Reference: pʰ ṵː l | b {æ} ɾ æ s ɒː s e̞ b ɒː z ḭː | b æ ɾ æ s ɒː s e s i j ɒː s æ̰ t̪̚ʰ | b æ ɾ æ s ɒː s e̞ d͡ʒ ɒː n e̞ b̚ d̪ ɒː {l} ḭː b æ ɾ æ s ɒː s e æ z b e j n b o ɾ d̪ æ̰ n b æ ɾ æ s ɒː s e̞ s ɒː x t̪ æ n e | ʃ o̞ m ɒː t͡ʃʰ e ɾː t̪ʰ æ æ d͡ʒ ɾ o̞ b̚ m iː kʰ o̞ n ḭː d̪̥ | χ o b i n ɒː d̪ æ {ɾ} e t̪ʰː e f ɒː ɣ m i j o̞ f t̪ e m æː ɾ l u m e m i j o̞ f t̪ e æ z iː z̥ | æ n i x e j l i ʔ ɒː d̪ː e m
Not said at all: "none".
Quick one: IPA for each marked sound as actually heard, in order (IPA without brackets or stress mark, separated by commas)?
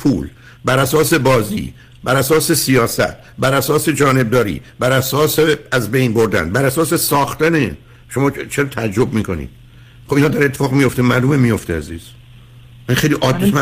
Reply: æ, ɾ, ɾ